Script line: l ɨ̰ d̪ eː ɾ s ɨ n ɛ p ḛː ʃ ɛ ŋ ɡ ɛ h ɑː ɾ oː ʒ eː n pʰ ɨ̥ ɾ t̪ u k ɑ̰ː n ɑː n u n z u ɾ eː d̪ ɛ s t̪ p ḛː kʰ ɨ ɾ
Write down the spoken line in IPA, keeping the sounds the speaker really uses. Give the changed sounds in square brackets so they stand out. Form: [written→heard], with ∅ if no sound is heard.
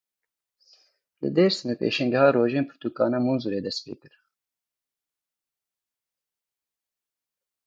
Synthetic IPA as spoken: l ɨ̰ d̪ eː ɾ s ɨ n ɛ p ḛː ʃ ɛ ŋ ɡ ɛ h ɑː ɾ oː ʒ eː n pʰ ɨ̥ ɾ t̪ u k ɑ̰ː n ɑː [n→m] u n z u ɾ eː d̪ ɛ s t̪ p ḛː [kʰ→k] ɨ ɾ